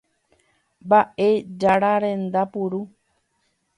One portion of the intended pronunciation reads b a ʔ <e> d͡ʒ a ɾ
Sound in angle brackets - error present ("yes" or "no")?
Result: no